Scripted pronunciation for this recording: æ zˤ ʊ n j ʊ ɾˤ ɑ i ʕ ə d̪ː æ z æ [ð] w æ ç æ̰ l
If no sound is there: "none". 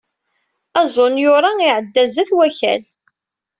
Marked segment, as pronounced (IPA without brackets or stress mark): θ